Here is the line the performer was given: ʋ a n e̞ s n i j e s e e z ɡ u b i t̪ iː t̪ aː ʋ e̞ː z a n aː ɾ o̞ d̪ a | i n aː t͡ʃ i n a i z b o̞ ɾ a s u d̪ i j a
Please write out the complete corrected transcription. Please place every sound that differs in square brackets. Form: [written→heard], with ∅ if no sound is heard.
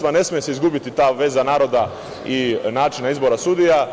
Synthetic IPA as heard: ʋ a n e̞ s [n→m] i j e s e [e→i] z ɡ u b i t̪ [iː→i] t̪ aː ʋ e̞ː z a n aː ɾ o̞ d̪ a | i n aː t͡ʃ i n a i z b o̞ ɾ a s u d̪ i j a